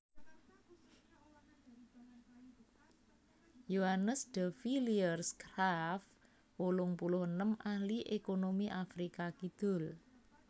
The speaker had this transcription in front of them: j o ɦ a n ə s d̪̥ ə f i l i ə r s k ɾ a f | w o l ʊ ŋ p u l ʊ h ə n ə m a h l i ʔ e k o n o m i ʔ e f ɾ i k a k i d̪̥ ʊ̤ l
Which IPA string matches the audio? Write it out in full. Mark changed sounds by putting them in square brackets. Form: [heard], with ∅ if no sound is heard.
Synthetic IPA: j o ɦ a n ə s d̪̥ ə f i l i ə r s k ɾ a f | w o l ʊ ŋ p u l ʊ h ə n ə m a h l i ʔ e k o n o m i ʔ [a] f ɾ i k a k i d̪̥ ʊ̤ l

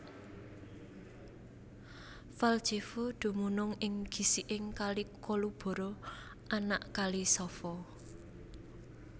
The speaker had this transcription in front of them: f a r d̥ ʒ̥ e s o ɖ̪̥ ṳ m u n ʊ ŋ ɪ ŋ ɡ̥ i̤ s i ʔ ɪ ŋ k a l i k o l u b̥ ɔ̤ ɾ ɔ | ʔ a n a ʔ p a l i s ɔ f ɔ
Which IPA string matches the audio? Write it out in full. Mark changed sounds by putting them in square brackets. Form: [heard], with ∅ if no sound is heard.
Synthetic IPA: f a [l] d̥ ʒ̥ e [f] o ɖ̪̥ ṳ m u n ʊ ŋ ɪ ŋ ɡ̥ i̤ s i ʔ ɪ ŋ k a l i k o l u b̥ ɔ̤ ɾ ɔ | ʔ a n a ʔ [k] a l i s ɔ f ɔ

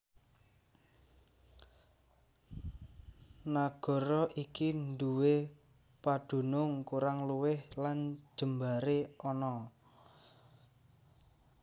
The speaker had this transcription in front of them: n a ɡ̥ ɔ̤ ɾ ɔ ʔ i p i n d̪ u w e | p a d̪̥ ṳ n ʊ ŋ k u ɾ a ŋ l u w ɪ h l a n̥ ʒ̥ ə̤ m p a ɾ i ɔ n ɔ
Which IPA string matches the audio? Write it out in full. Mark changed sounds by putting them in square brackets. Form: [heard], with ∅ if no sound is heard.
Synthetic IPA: n a ɡ̥ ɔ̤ ɾ ɔ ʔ i [k] i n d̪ u w e | p a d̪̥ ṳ n ʊ ŋ k u ɾ a ŋ l u w ɪ h l a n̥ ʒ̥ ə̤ m [b] a ɾ [e] ɔ n ɔ

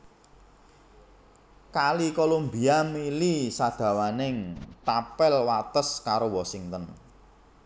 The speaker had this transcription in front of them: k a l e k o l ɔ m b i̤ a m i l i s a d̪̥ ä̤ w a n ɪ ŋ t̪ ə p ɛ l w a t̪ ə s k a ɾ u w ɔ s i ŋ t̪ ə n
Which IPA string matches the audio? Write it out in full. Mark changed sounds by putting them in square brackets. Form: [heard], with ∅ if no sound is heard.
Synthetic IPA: k a l [i] k o l [o] m b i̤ a m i l i s a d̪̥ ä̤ w a n ɪ ŋ t̪ [a] p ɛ l w a t̪ ə s k a ɾ [o] w ɔ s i ŋ t̪ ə n

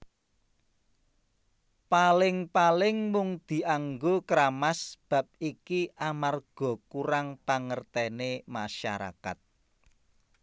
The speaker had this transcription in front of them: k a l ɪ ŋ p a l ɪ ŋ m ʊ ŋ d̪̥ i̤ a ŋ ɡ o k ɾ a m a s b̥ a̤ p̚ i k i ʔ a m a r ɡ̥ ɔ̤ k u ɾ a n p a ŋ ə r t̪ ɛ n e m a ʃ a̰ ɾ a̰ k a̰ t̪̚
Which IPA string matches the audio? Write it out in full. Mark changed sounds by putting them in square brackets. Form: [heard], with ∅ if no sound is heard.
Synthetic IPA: [p] a l ɪ ŋ p a l ɪ ŋ m ʊ ŋ d̪̥ i̤ a ŋ ɡ o k ɾ a m a s b̥ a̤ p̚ i k i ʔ a m a r ɡ̥ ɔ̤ k u ɾ a [ŋ] p a ŋ ə r t̪ ɛ n e m a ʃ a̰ ɾ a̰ k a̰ t̪̚

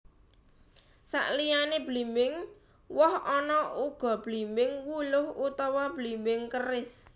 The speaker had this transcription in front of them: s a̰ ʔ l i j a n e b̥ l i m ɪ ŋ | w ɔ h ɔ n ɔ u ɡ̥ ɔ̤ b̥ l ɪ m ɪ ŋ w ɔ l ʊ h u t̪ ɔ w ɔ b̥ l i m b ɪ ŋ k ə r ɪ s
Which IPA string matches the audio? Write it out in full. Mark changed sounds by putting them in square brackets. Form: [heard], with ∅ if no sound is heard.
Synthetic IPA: s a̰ ʔ l i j a n e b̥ l i m ɪ ŋ | w ɔ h ɔ n ɔ u ɡ̥ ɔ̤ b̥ l [i] m ɪ ŋ w [u] l ʊ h u t̪ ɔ w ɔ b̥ l i m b ɪ ŋ k ə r ɪ s

